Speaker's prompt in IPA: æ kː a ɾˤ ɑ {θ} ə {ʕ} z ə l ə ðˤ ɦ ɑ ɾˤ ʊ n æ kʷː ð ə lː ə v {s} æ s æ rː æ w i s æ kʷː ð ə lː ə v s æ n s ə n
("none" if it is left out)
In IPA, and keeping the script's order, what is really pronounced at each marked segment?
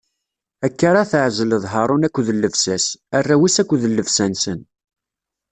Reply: θ, ʕ, s

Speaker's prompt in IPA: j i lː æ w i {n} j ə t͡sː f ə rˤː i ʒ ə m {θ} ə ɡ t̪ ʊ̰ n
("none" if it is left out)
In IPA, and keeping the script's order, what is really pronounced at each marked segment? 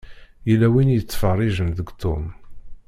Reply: n, ð

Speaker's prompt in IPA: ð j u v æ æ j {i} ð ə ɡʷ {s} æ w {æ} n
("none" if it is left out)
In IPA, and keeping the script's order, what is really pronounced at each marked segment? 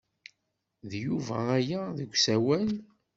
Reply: æ, s, æ

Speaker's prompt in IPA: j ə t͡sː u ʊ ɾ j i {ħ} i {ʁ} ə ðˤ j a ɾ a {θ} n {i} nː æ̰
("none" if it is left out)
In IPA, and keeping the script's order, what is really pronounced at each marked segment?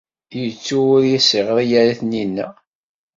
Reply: s, ʁ, θ, i

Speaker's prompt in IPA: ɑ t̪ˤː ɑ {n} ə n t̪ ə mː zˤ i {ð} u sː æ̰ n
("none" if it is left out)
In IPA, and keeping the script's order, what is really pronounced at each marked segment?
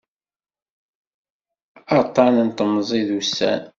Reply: n, ð

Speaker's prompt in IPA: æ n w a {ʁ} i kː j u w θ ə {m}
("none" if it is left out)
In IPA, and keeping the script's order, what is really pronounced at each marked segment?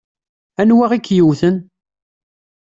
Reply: ʁ, n

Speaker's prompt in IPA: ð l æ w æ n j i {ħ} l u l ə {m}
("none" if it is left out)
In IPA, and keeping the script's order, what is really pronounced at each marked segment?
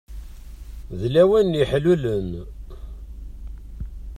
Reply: ħ, n

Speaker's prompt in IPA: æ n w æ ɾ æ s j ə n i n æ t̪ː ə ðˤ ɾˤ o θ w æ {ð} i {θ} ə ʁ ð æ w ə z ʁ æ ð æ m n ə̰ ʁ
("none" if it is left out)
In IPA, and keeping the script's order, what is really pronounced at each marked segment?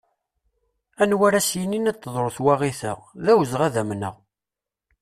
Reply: ʁ, θ

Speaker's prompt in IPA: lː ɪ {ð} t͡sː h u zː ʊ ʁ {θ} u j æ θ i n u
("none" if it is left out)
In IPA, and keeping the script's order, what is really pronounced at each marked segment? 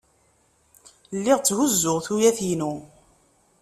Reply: ʁ, θ

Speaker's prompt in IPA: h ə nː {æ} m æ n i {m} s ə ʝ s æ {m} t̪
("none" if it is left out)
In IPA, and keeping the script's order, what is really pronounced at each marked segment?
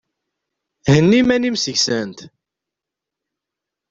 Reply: i, m, n

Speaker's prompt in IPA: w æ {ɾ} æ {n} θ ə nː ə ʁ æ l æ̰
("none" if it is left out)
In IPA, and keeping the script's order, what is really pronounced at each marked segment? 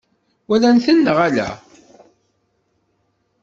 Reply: l, n

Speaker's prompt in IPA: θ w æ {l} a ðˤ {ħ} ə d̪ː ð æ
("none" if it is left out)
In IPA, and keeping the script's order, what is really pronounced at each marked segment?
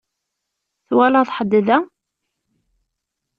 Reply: l, ħ

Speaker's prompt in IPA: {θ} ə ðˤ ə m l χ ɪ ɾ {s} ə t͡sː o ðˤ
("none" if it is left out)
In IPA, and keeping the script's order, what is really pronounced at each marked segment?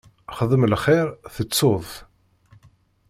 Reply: χ, θ

